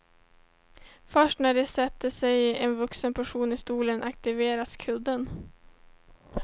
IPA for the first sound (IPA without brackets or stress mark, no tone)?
f